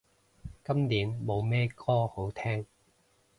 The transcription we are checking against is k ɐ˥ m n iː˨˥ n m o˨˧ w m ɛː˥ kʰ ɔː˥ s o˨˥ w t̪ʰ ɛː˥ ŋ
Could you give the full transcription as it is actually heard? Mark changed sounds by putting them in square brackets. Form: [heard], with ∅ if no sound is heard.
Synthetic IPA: k ɐ˥ m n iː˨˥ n m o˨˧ w m ɛː˥ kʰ ɔː˥ [h] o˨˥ w t̪ʰ ɛː˥ ŋ